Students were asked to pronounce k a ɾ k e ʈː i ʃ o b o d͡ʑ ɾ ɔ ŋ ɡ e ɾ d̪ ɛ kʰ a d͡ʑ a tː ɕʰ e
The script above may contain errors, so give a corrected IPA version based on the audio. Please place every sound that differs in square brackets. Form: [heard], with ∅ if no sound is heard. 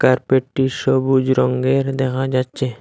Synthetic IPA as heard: k a ɾ [p] e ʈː i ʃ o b [u] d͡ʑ ɾ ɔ ŋ ɡ e ɾ d̪ ɛ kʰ a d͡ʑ a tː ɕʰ e

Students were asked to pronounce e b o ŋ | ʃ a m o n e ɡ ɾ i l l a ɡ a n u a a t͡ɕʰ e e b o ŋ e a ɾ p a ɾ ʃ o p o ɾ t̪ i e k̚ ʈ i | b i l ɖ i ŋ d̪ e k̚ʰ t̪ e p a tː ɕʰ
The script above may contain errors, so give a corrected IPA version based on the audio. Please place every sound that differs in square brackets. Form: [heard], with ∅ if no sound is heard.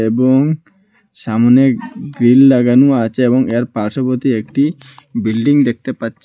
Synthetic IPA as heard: e b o ŋ | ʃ a m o n e ɡ ɾ i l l a ɡ a n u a a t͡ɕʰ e e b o ŋ e a ɾ p a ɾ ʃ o p o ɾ t̪ i e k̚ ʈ i | b i l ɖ i ŋ d̪ e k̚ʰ t̪ e p a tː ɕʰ

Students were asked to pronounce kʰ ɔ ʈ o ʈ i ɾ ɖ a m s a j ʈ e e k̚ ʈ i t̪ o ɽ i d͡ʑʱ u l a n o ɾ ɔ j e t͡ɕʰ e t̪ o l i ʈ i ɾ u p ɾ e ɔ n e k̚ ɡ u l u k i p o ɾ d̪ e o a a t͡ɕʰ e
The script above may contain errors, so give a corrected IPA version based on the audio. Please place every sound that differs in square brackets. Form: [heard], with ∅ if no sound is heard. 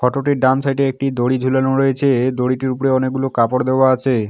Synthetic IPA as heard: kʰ ɔ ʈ o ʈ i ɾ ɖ a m s a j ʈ e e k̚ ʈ i [d̪] o ɽ i d͡ʑʱ u l a n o ɾ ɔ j e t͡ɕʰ e [d̪] o [ɽ] i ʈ i ɾ u p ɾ e ɔ n e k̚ ɡ u l [o] k [a] p o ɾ d̪ e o a a t͡ɕʰ e

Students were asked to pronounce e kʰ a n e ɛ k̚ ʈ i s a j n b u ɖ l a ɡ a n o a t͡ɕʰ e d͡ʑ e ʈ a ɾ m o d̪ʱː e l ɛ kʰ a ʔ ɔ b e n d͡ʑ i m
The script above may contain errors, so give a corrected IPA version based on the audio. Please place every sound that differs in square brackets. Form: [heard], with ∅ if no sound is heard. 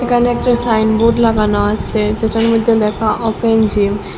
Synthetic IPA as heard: e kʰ a n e ɛ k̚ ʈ [a] s a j n b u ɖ l a ɡ a n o a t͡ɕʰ e d͡ʑ e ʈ a ɾ m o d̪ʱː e l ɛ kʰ a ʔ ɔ [p] e n d͡ʑ i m

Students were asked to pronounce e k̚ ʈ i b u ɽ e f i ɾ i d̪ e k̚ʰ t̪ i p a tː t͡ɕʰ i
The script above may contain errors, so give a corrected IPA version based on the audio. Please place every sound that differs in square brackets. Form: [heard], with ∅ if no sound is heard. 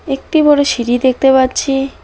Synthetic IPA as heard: e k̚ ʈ i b [ɔ] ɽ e [ʃ] i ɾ i d̪ e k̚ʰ t̪ [e] p a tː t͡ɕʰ i

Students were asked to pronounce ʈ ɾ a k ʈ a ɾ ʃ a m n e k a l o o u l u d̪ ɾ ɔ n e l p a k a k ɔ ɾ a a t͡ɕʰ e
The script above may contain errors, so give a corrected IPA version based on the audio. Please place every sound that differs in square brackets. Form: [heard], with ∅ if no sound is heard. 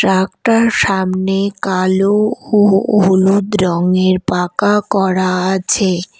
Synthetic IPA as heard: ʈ ɾ a k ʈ a ɾ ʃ a m n e k a l o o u l u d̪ ɾ ɔ [ŋ] e [ɾ] p a k a k ɔ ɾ a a t͡ɕʰ e

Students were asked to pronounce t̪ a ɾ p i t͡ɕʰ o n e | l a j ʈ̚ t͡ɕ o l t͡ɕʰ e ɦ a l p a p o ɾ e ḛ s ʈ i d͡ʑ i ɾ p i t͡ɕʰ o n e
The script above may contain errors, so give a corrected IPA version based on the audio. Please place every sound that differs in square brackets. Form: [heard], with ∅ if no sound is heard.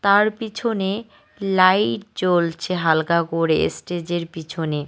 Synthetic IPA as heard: t̪ a ɾ p i t͡ɕʰ o n e | l a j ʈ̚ t͡ɕ o l t͡ɕʰ e ɦ a l [k] a [k] o ɾ e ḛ s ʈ [e] d͡ʑ [e] ɾ p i t͡ɕʰ o n e

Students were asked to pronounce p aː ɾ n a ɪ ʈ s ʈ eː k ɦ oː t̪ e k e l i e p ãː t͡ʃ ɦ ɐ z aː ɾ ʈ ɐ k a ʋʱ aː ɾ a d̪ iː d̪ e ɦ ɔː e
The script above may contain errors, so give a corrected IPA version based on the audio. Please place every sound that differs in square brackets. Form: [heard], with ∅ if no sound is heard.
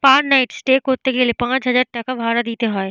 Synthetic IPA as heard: p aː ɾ n a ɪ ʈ s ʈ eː k ɦ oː t̪ e k e l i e p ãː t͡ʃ ɦ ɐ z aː ɾ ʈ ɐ k a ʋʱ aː ɾ a d̪ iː [t̪] e ɦ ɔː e

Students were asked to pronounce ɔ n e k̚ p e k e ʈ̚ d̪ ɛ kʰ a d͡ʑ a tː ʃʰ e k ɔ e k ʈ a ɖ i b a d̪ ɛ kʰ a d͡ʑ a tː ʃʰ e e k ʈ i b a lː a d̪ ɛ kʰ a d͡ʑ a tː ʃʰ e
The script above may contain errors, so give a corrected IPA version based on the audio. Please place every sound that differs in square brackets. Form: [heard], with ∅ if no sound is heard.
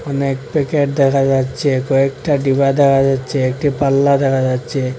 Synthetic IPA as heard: ɔ n e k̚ p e k e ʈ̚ d̪ ɛ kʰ a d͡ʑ a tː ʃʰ e k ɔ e k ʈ a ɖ i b a d̪ ɛ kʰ a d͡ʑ a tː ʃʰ e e k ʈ i [p] a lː a d̪ ɛ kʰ a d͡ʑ a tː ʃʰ e

